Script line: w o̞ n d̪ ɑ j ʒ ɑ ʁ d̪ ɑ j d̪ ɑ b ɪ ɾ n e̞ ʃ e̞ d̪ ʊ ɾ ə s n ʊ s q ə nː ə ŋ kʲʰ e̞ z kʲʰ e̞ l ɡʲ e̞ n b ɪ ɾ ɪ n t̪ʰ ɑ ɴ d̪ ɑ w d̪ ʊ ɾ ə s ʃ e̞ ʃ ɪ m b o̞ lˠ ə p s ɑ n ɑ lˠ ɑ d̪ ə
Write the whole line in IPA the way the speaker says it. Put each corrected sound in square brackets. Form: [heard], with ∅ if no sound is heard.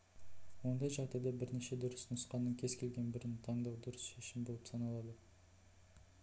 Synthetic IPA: w o̞ n d̪ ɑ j ʒ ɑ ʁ d̪ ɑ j d̪ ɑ b ɪ ɾ n e̞ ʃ e̞ d̪ ʊ ɾ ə s n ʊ s q [ɑ] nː ə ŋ kʲʰ e̞ z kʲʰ e̞ l ɡʲ e̞ n b ɪ ɾ ɪ n t̪ʰ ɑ ɴ d̪ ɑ w d̪ ʊ ɾ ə s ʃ e̞ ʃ ɪ m b o̞ lˠ ə p s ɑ n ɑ lˠ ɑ d̪ ə